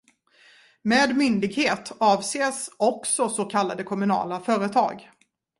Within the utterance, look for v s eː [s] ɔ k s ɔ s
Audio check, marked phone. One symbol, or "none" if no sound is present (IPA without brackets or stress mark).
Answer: s